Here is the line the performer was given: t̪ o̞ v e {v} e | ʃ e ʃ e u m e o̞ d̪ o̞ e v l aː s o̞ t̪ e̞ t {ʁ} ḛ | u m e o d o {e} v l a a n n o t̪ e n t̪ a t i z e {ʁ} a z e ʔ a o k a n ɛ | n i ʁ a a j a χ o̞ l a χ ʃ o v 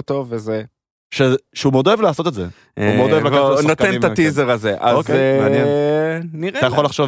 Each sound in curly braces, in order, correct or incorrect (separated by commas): incorrect, incorrect, correct, correct